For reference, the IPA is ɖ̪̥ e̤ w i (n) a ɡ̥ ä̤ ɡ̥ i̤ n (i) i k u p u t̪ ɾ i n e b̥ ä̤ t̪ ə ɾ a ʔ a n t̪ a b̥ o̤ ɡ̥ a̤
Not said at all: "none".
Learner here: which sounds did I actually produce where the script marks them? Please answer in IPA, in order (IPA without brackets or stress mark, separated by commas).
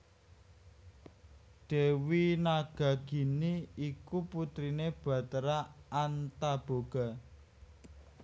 n, i